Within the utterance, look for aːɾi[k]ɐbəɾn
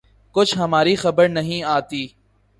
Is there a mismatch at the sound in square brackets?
yes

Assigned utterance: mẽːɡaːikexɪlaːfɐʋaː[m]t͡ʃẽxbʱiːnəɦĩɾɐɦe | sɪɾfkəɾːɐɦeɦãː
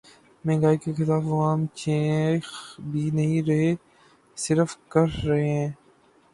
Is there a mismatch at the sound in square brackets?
no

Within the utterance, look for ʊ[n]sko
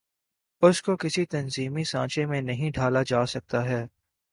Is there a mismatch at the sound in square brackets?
yes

